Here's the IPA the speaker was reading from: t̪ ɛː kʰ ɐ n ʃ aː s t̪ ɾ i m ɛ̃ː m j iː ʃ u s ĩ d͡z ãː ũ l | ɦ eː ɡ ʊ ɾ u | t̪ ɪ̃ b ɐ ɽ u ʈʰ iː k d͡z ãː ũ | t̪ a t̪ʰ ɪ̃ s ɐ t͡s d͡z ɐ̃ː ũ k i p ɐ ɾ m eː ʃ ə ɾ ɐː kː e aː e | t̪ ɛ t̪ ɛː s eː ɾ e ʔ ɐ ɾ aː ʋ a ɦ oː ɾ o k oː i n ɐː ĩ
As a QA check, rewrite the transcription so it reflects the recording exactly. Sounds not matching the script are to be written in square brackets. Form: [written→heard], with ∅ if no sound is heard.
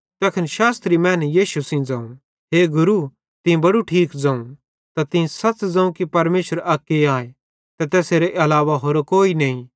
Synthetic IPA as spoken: t̪ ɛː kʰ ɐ n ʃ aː s t̪ ɾ i m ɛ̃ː [m→n] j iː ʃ u s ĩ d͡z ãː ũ [l→∅] | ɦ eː ɡ ʊ ɾ u | t̪ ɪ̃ b ɐ ɽ u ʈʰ iː k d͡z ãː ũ | t̪ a [t̪ʰ→t̪] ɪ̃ s ɐ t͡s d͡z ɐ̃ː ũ k i p ɐ ɾ m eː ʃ ə ɾ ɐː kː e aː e | t̪ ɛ t̪ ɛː s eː ɾ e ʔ ɐ [ɾ→l] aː ʋ a ɦ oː ɾ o k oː i n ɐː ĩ